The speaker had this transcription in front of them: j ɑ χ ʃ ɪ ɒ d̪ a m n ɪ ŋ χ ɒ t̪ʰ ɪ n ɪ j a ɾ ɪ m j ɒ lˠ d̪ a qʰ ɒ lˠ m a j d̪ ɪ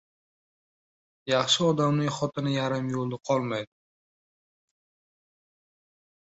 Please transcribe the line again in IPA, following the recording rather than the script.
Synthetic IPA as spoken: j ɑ χ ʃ ɪ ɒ d̪ a m n ɪ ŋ χ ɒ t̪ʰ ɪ n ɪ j a ɾ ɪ m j o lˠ d̪ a qʰ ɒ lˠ m a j d̪ ɪ